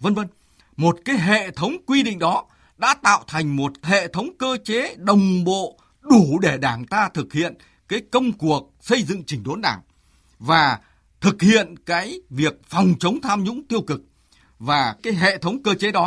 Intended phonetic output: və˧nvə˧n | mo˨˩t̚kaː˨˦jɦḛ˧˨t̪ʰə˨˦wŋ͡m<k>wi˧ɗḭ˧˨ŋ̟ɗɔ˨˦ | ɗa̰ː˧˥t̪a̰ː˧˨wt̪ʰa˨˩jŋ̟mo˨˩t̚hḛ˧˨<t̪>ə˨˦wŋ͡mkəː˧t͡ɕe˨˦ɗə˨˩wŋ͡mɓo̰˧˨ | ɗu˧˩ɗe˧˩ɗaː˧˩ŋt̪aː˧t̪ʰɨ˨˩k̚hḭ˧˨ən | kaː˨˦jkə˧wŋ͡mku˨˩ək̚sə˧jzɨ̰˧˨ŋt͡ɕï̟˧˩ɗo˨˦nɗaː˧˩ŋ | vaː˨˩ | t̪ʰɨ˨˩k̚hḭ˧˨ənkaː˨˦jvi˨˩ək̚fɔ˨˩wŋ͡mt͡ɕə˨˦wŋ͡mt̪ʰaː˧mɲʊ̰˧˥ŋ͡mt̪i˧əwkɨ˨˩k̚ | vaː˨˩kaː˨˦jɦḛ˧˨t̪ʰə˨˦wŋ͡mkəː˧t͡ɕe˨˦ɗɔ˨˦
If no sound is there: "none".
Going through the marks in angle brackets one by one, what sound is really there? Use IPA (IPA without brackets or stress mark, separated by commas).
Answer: k, t̪ʰ